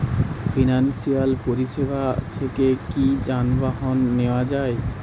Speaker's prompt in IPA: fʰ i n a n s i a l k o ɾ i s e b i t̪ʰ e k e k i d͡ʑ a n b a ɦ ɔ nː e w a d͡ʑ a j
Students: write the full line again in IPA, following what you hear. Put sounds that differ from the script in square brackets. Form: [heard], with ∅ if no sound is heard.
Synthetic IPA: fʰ i n a n s i a l [p] o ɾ i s e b [a] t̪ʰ e k e k i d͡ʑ a n b a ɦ ɔ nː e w a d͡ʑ a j